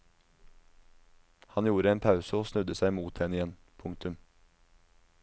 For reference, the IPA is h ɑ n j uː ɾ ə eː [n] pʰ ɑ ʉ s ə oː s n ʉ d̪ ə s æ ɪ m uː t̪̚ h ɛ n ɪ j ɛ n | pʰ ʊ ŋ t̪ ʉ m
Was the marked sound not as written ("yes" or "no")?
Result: no